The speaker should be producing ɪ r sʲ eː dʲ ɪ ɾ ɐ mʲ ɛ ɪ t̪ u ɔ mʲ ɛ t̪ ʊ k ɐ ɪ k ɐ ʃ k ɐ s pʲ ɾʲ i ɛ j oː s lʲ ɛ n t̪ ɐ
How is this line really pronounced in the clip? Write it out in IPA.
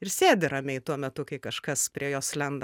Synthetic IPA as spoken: ɪ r sʲ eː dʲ ɪ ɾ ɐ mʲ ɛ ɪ t̪ u ɔ mʲ ɛ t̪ ʊ k ɐ ɪ k ɐ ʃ k ɐ s pʲ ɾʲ i ɛ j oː s lʲ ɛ n d̪ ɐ